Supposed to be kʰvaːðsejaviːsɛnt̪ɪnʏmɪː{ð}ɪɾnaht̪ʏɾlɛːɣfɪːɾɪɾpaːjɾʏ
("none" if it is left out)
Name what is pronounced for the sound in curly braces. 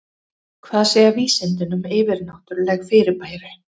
v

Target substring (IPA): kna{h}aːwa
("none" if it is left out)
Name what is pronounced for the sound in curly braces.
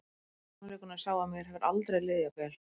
s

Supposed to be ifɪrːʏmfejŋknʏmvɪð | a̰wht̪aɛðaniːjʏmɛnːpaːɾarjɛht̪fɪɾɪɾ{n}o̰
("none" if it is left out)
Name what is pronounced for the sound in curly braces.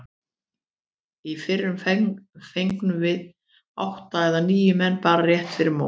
m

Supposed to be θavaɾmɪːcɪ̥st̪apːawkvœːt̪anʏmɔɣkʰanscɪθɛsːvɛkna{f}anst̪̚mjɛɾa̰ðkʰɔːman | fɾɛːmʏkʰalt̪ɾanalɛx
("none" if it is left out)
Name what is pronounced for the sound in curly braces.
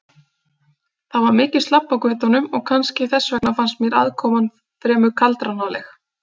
f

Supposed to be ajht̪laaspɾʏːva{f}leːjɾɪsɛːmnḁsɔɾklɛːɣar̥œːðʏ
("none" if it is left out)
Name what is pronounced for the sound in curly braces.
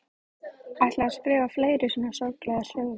f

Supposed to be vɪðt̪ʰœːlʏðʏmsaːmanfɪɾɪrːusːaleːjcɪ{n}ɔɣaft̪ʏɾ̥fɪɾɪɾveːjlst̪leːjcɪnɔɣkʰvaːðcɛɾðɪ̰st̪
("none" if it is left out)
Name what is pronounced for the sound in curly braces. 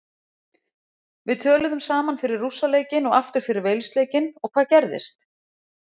n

